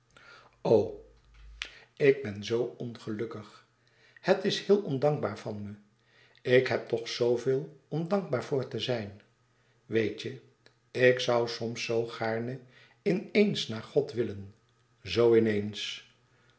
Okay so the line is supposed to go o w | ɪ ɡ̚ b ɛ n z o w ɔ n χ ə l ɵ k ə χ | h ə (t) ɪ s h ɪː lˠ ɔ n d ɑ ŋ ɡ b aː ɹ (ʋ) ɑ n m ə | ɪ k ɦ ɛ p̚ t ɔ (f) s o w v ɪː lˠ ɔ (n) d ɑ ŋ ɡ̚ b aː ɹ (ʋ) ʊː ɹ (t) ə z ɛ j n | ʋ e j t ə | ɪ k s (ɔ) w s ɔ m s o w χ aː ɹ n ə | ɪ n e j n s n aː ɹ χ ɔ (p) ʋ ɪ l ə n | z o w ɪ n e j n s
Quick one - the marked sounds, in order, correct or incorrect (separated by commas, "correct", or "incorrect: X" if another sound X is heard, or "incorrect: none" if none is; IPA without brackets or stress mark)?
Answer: correct, incorrect: v, incorrect: χ, incorrect: m, incorrect: v, correct, incorrect: ʌ, incorrect: t